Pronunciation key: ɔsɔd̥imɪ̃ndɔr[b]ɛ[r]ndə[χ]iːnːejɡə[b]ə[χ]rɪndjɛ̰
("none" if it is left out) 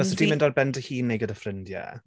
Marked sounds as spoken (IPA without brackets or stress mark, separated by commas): b, none, h, d, f